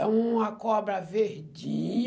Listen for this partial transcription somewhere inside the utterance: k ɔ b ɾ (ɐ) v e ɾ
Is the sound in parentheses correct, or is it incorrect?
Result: correct